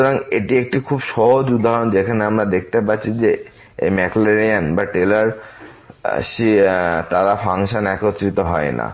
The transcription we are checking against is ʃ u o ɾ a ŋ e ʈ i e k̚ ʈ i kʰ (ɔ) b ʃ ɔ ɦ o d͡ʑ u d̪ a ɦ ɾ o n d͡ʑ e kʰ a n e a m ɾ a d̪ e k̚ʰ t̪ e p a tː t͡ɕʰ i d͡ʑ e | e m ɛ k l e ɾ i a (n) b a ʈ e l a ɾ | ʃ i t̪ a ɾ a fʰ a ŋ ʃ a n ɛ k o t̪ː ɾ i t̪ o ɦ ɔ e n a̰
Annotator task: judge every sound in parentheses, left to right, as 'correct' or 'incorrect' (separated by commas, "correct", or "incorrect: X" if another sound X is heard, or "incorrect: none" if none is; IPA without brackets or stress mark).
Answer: incorrect: u, correct